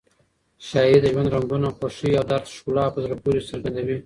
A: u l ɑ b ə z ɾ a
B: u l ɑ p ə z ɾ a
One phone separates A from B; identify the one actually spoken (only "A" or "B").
B